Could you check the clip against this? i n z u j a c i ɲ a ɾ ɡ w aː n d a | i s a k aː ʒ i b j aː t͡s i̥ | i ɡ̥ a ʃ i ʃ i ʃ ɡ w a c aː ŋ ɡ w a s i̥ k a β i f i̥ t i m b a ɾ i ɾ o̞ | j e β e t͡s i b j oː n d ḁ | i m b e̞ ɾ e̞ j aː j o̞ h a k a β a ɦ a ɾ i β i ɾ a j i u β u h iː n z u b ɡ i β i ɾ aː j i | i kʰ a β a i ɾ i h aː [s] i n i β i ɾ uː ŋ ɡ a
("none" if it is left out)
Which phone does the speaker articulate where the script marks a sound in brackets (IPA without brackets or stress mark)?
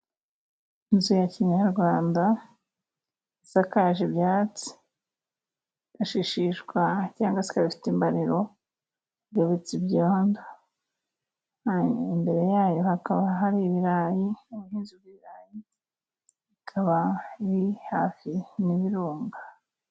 f